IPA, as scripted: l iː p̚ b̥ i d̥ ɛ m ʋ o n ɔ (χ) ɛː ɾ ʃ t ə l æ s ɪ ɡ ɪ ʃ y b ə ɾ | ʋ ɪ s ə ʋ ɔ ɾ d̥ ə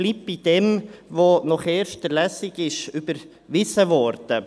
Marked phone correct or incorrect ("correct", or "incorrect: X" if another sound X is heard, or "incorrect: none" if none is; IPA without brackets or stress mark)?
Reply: correct